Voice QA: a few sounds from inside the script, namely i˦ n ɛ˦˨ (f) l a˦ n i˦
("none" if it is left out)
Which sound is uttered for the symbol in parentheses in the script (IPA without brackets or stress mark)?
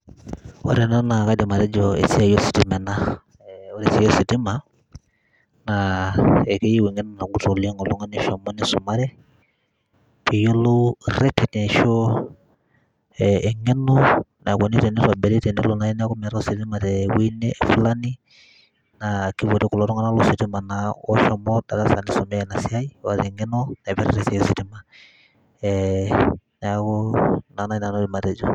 f